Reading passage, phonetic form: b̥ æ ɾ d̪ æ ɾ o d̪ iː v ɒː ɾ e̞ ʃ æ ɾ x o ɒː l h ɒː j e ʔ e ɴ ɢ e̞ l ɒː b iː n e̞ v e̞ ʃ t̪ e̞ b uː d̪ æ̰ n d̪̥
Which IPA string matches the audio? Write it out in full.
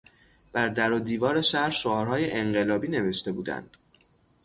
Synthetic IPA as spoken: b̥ æ ɾ d̪ æ ɾ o d̪ iː v ɒː ɾ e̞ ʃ æ ɾ ʃ o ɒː ɾ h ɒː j e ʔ e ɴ ɢ e̞ l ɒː b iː n e̞ v e̞ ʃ t̪ e̞ b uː d̪ æ̰ n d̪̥